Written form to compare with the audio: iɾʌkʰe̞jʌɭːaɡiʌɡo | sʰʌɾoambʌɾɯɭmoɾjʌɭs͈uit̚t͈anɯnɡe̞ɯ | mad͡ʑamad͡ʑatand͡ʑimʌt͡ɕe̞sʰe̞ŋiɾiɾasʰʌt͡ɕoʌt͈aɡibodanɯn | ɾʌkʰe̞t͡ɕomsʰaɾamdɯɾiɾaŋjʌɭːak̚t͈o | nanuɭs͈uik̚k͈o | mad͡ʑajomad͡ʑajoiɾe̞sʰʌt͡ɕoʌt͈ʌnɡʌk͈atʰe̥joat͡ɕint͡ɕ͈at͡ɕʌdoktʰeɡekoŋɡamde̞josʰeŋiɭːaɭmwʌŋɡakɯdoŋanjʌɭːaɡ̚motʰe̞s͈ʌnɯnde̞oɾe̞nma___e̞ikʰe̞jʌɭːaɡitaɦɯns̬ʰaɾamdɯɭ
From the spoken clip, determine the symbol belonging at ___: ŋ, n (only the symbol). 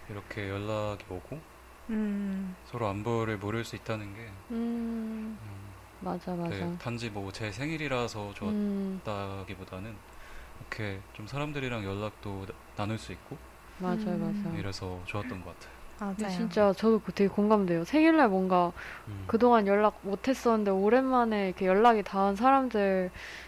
n